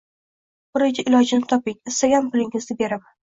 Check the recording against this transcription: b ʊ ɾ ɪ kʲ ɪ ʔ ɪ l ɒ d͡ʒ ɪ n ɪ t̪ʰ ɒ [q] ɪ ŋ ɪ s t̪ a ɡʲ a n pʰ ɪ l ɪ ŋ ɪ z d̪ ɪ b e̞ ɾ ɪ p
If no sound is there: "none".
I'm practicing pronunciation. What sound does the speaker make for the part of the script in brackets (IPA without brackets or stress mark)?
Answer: p